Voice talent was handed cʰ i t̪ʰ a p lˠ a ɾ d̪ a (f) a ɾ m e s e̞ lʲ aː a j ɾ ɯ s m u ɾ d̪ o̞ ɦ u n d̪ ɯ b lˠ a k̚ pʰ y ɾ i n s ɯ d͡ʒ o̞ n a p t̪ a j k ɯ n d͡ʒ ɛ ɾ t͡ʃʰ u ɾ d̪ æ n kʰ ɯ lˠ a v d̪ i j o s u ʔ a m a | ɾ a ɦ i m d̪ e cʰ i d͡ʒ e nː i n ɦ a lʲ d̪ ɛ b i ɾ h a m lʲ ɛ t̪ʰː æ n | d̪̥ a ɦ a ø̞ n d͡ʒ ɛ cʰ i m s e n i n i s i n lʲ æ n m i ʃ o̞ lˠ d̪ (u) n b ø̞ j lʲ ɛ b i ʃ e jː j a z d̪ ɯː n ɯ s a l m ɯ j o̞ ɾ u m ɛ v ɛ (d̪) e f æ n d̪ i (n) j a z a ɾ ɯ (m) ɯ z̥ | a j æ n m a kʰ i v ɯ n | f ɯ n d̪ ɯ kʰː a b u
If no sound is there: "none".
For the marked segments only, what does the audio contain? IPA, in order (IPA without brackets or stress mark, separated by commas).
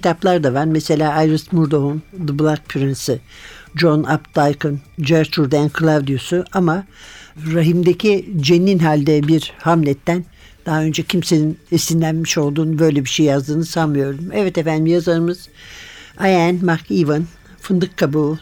v, uː, t̪, m, m